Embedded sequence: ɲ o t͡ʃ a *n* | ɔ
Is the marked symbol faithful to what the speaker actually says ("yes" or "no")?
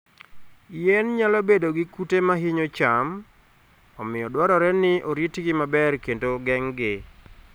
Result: no